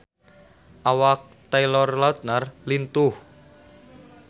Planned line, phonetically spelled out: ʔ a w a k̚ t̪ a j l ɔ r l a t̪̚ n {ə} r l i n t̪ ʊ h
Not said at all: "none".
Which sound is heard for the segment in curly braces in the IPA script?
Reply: a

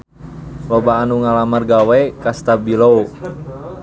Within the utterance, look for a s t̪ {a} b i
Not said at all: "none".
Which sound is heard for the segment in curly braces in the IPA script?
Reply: a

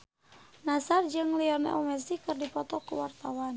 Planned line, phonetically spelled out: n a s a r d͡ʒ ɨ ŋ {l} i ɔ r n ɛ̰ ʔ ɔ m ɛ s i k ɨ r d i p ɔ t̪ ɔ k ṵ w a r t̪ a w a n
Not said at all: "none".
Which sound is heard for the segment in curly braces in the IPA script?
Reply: l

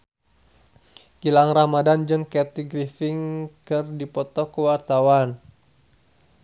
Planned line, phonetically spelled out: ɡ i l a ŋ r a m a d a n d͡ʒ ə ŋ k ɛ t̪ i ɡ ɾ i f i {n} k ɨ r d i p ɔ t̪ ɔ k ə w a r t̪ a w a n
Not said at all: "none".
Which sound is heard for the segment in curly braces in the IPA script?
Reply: ŋ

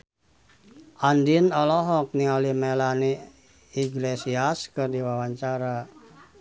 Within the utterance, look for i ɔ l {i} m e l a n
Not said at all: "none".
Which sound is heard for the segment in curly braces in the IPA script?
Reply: i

